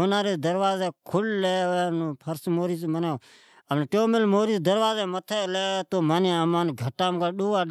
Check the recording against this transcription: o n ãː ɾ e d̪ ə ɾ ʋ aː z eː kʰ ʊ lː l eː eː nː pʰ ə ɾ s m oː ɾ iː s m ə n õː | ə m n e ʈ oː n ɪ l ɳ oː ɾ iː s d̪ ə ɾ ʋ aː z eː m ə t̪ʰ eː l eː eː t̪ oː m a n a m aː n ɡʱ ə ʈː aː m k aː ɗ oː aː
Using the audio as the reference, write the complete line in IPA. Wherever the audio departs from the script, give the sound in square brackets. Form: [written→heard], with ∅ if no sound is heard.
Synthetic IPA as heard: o n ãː ɾ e d̪ ə ɾ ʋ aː z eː kʰ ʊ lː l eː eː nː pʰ ə ɾ s m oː ɾ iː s m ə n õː | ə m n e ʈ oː [n→m] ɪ l [ɳ→m] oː ɾ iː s d̪ ə ɾ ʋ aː z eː m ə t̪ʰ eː l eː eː t̪ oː m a n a m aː n ɡʱ ə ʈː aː m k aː ɗ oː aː